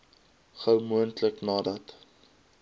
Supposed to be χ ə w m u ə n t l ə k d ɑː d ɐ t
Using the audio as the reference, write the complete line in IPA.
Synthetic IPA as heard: χ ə w m u ə n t l ə k n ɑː d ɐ t